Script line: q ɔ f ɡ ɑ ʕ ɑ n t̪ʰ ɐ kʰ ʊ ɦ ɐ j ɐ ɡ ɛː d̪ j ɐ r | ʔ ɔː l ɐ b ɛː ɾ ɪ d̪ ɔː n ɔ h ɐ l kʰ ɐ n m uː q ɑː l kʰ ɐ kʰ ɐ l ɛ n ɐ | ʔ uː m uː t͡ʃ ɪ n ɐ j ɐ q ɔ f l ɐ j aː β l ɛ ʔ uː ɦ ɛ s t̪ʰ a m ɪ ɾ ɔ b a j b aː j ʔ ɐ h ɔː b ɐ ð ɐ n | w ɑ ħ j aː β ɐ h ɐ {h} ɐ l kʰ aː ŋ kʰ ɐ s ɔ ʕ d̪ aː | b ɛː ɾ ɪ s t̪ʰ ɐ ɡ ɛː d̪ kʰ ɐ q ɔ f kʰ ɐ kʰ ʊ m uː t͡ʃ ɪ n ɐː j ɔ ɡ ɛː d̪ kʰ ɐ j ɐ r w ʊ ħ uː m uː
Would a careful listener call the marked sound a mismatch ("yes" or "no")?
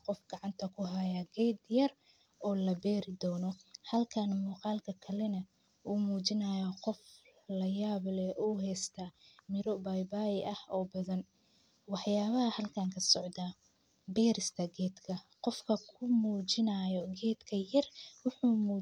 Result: no